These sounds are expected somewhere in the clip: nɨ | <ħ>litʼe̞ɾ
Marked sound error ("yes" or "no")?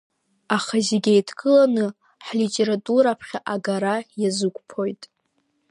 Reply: no